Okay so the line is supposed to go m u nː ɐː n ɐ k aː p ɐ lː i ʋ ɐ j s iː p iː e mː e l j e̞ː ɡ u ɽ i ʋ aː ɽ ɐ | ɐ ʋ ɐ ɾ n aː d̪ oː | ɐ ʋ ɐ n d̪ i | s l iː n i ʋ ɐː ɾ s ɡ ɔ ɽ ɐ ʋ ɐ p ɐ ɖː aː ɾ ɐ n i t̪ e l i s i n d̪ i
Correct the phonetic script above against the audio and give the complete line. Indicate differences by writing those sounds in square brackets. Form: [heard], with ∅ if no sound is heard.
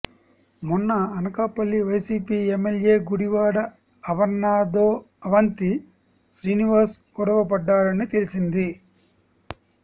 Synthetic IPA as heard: m u nː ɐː n ɐ k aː p ɐ lː i ʋ ɐ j s iː p iː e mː e l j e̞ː ɡ u ɽ i ʋ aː ɽ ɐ | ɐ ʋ ɐ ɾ n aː d̪ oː | ɐ ʋ ɐ n [t̪] i | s [ɾ] iː n i ʋ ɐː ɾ s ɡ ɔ ɽ ɐ ʋ ɐ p ɐ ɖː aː ɾ ɐ n i t̪ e l i s i n d̪ i